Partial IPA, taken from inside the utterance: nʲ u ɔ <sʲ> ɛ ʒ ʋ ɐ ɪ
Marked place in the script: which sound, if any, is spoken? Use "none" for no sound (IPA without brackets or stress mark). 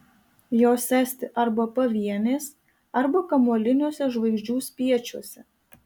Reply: sʲ